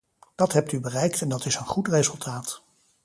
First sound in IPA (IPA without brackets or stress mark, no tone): d̥